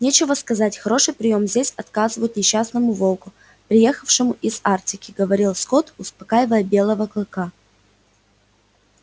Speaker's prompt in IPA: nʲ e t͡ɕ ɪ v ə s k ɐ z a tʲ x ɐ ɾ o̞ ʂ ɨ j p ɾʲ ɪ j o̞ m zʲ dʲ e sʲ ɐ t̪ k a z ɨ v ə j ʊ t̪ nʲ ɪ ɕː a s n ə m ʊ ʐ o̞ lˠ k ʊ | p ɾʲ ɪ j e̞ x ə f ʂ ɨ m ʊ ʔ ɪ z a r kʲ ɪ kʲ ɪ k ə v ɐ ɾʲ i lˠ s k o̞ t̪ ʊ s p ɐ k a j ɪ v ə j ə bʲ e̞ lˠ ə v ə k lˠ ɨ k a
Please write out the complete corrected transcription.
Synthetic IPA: nʲ e t͡ɕ ɪ v ə s k ɐ z a tʲ x ɐ ɾ o̞ ʂ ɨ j p ɾʲ ɪ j o̞ m zʲ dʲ e sʲ ɐ t̪ k a z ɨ v ə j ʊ t̪ nʲ ɪ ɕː a s n ə m ʊ v o̞ lˠ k ʊ | p ɾʲ ɪ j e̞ x ə f ʂ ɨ m ʊ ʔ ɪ z a r tʲ ɪ kʲ ɪ ɡ ə v ɐ ɾʲ i lˠ s k o̞ t̪ ʊ s p ɐ k a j ɪ v ə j ə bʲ e̞ lˠ ə v ə k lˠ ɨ k a